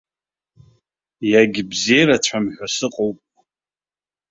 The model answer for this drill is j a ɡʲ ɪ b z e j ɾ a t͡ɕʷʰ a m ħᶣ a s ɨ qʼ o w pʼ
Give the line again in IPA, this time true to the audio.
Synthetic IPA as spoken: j a ɡʲ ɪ b z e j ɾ a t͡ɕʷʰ a m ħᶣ a s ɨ qʼ o w pʼ